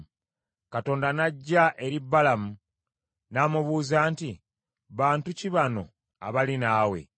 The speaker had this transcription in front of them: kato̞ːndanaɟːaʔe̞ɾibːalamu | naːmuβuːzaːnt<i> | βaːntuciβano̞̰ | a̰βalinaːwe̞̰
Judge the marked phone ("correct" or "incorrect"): correct